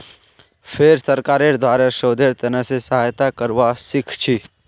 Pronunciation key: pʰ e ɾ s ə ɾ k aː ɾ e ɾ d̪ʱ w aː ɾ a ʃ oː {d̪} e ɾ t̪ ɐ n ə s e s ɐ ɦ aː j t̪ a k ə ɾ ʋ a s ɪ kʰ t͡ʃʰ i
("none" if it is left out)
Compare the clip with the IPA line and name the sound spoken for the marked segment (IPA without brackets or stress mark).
d̪